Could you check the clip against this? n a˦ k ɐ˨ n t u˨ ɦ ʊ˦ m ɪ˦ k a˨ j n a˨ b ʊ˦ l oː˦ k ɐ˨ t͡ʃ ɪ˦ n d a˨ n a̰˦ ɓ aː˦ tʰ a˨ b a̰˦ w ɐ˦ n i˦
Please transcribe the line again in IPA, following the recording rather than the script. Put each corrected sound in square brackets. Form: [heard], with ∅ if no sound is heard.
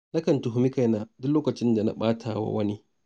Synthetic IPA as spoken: n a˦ k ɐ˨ n t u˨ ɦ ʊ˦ m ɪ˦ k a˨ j n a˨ [d] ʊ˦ l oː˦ k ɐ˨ t͡ʃ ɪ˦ n d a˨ n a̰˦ ɓ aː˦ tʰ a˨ [w] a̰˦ w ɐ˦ n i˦